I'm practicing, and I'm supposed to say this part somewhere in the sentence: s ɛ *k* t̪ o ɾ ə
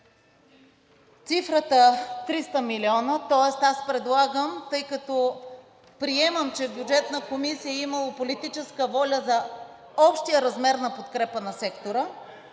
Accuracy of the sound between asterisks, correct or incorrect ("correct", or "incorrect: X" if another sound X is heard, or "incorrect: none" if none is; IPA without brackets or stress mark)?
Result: correct